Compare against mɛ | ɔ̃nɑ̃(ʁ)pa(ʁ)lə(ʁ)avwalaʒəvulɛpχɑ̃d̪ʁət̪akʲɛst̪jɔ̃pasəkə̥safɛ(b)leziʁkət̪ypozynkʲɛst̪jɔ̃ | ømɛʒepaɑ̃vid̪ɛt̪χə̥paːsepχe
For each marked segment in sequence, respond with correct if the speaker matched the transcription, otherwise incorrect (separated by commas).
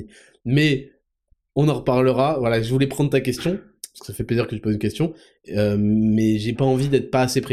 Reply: correct, correct, correct, incorrect